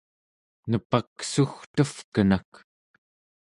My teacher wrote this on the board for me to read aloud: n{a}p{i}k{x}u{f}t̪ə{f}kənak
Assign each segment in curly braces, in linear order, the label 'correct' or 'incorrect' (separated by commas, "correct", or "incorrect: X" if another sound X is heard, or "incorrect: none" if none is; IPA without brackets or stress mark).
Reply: incorrect: ə, incorrect: a, incorrect: s, incorrect: x, correct